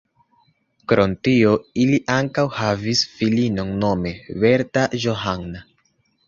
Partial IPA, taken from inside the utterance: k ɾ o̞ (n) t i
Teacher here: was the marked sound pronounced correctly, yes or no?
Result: yes